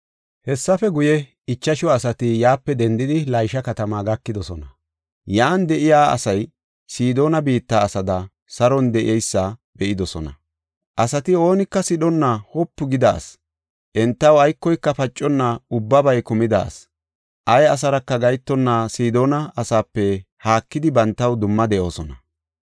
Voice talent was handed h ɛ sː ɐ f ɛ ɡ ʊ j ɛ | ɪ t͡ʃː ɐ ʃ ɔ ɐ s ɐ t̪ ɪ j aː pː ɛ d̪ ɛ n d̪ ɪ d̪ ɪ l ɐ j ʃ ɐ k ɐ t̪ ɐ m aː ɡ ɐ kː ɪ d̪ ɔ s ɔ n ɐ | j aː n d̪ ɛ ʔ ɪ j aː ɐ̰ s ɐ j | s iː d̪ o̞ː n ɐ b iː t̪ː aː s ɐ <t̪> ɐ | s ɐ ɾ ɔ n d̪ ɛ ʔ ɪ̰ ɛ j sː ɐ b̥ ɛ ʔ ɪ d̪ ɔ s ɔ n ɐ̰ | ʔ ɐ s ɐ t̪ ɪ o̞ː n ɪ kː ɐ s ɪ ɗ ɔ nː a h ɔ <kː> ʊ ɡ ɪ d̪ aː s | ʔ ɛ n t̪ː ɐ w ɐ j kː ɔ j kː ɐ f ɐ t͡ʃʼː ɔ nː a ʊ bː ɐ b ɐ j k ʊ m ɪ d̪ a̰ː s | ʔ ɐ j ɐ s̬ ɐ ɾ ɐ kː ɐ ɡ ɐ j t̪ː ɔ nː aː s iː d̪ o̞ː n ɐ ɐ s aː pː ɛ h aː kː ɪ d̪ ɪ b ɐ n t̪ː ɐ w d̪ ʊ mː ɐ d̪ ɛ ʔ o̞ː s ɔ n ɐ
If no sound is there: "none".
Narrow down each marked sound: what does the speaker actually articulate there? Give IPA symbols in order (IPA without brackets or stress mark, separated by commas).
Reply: d̪, pː